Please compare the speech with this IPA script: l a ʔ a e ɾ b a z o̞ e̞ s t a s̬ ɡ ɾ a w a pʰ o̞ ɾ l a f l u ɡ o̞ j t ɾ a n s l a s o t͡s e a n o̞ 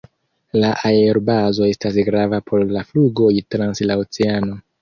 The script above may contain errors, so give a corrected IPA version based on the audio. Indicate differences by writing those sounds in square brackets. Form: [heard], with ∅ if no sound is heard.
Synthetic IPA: l a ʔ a e ɾ b a z o̞ e̞ s t a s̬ ɡ ɾ a [v] a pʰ o̞ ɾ l a f l u ɡ o̞ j t ɾ a n s l a [∅] o t͡s e a n o̞